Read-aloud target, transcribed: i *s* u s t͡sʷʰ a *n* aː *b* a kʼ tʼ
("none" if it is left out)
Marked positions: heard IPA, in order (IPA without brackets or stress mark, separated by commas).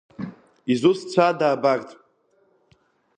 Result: z, d, b